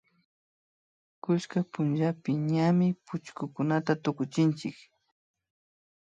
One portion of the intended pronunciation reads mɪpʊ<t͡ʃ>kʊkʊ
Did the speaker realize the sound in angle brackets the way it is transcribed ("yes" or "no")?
yes